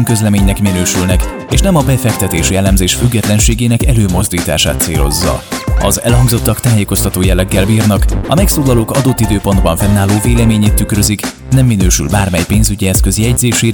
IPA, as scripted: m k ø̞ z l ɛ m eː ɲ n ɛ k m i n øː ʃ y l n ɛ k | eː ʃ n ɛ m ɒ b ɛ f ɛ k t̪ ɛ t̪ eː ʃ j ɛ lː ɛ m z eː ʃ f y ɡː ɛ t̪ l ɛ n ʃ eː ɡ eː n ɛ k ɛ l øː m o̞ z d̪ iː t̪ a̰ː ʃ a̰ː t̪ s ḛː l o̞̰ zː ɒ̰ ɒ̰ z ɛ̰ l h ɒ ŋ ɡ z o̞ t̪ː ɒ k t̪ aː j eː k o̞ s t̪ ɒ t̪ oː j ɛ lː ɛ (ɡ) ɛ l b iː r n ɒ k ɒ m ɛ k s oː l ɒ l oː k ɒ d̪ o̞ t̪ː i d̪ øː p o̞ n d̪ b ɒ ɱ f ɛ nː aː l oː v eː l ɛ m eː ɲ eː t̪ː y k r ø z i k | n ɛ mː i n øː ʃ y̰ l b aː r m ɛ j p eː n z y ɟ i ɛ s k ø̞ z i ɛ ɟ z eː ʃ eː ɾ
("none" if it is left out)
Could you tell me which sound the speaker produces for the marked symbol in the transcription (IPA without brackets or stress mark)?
ɡː